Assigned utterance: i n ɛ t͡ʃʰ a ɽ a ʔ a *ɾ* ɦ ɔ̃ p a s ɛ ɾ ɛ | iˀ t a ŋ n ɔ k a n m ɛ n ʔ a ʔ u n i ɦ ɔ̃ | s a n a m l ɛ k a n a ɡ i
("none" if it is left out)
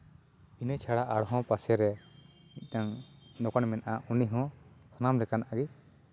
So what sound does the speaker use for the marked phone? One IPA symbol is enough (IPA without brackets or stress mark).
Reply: ɽ